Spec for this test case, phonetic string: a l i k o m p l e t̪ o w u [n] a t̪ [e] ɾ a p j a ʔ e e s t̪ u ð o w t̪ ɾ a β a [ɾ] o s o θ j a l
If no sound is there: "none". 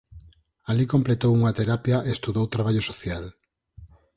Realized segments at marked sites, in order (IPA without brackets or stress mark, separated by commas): ŋ, e, ʎ